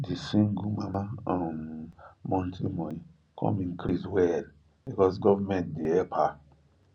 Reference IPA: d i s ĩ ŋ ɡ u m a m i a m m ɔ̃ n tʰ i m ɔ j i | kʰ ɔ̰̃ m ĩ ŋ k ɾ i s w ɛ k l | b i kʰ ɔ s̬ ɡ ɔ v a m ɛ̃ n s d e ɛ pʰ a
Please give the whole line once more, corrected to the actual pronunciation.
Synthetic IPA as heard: d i s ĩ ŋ ɡ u m a m a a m m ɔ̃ n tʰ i m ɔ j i | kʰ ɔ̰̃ m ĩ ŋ k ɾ i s w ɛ l | b i k ɔ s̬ ɡ ɔ v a m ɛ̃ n t d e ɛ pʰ a